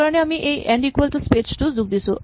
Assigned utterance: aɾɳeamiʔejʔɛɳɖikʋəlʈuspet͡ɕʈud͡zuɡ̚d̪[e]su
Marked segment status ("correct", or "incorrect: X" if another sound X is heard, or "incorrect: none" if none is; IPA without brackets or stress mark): incorrect: i